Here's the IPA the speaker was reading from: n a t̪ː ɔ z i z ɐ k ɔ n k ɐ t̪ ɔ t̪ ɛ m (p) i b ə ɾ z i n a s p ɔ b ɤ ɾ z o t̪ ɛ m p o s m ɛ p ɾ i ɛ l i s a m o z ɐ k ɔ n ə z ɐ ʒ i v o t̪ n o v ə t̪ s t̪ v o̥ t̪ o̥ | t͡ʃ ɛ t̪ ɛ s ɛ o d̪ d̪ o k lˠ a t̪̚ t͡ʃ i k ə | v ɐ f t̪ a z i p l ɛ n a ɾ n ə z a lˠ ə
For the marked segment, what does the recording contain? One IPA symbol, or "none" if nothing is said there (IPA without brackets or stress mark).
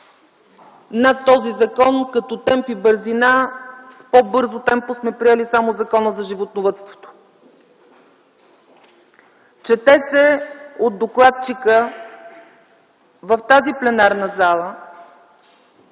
p